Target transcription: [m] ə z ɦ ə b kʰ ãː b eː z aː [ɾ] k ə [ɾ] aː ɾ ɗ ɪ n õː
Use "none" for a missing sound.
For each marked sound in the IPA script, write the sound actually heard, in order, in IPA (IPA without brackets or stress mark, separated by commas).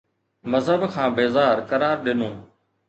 m, ɾ, ɾ